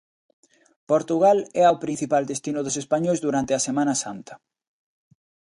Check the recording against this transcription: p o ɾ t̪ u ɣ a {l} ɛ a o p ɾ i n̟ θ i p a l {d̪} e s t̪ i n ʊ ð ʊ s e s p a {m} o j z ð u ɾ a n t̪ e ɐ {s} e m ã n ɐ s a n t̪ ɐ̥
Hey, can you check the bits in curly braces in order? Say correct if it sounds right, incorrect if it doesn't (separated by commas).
correct, correct, incorrect, correct